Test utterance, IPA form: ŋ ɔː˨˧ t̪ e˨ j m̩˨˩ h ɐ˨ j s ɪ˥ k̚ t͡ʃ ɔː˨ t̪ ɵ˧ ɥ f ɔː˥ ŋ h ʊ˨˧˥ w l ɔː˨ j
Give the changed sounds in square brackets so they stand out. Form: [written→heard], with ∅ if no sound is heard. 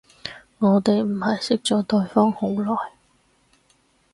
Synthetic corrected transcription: ŋ ɔː˨˧ t̪ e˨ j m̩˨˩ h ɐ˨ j s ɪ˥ k̚ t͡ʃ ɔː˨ t̪ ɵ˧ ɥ f ɔː˥ ŋ h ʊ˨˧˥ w l ɔː˨ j